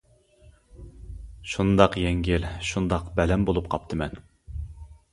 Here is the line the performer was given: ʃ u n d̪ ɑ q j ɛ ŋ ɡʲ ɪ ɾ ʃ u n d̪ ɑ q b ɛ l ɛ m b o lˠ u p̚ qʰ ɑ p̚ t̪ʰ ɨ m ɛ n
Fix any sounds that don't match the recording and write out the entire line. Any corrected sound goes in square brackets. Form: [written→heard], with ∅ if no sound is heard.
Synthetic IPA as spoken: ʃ u n d̪ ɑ q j ɛ ŋ ɡʲ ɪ [ɾ→l] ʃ u n d̪ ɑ q b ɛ l ɛ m b o lˠ u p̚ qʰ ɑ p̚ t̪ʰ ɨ m ɛ n

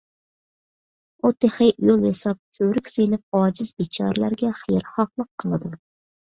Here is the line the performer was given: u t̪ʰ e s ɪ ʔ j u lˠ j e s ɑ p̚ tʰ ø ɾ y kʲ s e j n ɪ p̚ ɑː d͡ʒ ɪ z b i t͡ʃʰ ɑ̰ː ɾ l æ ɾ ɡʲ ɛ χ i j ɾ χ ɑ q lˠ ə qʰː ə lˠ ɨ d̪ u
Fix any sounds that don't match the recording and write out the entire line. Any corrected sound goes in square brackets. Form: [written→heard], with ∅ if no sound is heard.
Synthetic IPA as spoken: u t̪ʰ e [s→χ] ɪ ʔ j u lˠ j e s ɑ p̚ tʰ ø ɾ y kʲ s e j n ɪ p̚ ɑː d͡ʒ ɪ z b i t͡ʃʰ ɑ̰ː ɾ l æ ɾ ɡʲ ɛ χ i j ɾ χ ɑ q lˠ ə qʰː ə lˠ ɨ d̪ u

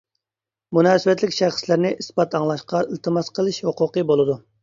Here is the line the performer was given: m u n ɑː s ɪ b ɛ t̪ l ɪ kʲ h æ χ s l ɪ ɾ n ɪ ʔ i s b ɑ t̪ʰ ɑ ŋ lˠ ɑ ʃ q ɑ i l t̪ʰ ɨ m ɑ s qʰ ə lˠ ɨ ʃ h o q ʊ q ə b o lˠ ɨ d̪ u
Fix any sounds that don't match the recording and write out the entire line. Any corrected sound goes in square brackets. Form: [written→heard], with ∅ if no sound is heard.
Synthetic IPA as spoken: m u n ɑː s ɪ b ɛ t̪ l ɪ kʲ [h→ʃ] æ χ s l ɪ ɾ n ɪ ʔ i s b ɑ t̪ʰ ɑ ŋ lˠ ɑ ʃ q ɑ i l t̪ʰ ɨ m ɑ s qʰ ə lˠ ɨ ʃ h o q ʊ q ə b o lˠ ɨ d̪ u

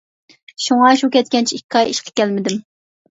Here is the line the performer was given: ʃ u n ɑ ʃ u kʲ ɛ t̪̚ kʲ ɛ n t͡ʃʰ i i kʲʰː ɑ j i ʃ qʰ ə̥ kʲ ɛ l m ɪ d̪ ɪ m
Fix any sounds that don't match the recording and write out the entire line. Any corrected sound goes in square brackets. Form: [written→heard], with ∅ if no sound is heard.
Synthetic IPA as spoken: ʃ u [n→ŋ] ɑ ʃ u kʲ ɛ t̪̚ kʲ ɛ n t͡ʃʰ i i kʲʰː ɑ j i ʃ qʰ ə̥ kʲ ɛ l m ɪ d̪ ɪ m

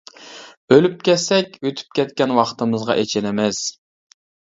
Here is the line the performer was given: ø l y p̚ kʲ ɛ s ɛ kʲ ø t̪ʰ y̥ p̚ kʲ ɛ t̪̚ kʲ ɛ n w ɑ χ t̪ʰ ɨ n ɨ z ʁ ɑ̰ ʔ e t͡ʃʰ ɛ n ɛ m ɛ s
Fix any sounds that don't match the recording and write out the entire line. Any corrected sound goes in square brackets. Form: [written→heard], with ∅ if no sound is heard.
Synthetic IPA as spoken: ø l y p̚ kʲ ɛ s ɛ kʲ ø t̪ʰ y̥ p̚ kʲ ɛ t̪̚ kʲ ɛ n w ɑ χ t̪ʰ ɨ [n→m] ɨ z ʁ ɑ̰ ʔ e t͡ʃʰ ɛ n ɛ m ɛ s

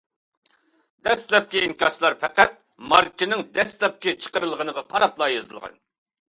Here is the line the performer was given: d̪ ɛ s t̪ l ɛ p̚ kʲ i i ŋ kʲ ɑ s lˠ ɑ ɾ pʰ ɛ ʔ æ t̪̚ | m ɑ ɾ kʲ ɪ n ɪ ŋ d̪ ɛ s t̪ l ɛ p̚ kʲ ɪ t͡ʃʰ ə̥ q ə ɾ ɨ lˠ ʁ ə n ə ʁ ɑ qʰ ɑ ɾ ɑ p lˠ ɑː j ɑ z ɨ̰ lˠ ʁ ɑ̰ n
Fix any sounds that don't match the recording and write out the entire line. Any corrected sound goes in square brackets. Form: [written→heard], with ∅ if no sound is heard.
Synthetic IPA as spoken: d̪ ɛ s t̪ l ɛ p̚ kʲ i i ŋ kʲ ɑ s lˠ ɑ ɾ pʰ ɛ [ʔ→q] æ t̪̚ | m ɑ ɾ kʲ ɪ n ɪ ŋ d̪ ɛ s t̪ l ɛ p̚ kʲ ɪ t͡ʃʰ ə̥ q ə ɾ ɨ lˠ ʁ ə n ə ʁ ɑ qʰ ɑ ɾ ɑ p lˠ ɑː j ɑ z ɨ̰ lˠ ʁ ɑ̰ n

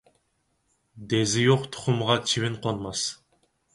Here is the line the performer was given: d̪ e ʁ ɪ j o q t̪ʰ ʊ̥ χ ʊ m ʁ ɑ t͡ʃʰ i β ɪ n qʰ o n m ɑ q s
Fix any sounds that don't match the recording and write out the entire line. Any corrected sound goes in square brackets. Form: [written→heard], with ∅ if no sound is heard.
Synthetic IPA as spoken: d̪ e [ʁ→z] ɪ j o q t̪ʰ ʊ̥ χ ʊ m ʁ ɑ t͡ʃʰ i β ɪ n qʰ o n m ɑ [q→∅] s

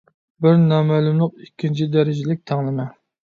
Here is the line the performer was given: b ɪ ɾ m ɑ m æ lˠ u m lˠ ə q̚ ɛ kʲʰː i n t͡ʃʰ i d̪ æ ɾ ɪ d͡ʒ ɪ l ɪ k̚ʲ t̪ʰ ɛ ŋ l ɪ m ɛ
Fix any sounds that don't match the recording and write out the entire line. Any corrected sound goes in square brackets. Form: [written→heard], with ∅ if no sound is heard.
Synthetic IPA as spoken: b ɪ ɾ [m→n] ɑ m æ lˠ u m lˠ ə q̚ [ɛ→i] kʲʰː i n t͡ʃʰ i d̪ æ ɾ ɪ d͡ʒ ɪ l ɪ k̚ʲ t̪ʰ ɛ ŋ l ɪ m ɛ

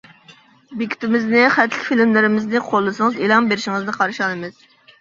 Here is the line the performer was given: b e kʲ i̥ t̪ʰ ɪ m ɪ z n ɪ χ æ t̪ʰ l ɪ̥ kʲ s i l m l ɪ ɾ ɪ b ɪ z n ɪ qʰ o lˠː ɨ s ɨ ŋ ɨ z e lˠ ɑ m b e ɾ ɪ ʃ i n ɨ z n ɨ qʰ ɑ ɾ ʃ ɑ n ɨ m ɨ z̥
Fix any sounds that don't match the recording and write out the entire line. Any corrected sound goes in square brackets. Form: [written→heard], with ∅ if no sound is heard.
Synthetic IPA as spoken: b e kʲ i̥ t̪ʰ ɪ m ɪ z n ɪ χ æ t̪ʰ l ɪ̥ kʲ [s→f] i l m l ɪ ɾ ɪ [b→m] ɪ z n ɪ qʰ o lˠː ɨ s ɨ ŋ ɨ z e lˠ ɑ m b e ɾ ɪ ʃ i [n→ŋ] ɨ z n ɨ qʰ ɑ ɾ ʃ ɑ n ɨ m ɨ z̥

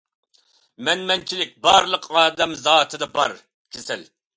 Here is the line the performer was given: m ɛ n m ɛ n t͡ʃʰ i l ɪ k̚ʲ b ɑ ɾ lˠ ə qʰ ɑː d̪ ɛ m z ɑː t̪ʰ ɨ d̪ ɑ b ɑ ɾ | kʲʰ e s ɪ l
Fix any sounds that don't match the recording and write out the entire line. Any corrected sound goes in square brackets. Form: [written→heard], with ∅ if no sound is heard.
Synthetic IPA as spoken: m ɛ n m ɛ n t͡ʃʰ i l ɪ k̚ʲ b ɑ ɾ lˠ ə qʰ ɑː d̪ ɛ m z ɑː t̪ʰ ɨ d̪ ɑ b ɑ ɾ | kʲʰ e s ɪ l

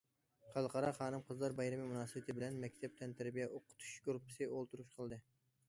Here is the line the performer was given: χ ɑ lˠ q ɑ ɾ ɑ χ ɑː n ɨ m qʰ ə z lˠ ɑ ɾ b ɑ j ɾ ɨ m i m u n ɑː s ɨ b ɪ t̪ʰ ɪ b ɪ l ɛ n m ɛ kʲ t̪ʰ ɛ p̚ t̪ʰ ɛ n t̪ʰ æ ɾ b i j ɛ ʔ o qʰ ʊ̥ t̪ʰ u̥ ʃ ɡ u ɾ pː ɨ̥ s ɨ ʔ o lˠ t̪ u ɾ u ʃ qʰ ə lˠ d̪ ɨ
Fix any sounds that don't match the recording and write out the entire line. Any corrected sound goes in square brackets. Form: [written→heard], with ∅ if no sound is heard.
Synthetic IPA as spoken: χ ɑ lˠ q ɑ ɾ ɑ χ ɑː n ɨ m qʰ ə z lˠ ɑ ɾ b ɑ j ɾ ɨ m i m u n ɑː s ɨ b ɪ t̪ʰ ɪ b ɪ l ɛ n m ɛ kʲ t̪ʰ ɛ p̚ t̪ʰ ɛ n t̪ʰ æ ɾ b i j ɛ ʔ o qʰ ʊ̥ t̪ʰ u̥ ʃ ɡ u ɾ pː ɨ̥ s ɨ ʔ o lˠ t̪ u ɾ u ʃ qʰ ə lˠ d̪ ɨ

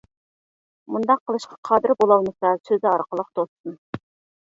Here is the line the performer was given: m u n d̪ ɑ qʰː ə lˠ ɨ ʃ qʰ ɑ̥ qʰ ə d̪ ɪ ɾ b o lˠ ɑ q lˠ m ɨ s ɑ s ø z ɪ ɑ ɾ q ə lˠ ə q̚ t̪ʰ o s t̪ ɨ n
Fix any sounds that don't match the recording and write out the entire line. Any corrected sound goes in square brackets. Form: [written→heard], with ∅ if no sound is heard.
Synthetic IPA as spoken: m u n d̪ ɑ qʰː ə lˠ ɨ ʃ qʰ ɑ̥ qʰ [ə→ɑ] d̪ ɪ ɾ b o lˠ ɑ [q→∅] lˠ m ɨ s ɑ s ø z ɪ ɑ ɾ q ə lˠ ə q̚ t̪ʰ o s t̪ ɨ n

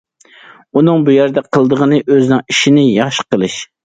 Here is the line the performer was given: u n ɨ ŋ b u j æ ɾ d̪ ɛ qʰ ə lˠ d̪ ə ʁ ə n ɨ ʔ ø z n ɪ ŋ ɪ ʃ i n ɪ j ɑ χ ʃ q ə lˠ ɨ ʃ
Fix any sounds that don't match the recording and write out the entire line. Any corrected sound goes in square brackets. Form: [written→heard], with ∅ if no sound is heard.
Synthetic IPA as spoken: u n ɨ ŋ b u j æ ɾ d̪ ɛ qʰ ə lˠ d̪ ə ʁ ə n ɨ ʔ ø z n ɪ ŋ [ɪ→i] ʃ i n ɪ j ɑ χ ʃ q ə lˠ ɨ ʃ

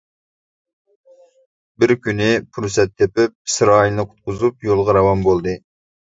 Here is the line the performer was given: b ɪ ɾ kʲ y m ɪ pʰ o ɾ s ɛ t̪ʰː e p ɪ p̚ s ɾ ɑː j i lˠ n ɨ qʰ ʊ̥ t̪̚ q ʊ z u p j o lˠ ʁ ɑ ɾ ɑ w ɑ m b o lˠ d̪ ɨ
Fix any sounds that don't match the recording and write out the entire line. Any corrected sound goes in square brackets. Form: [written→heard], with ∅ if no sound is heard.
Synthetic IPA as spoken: b ɪ ɾ kʲ y [m→n] ɪ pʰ [o→u] ɾ s ɛ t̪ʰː e p ɪ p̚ s ɾ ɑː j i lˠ n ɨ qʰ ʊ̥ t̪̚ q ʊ z u p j o lˠ ʁ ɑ ɾ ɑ w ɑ m b o lˠ d̪ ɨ

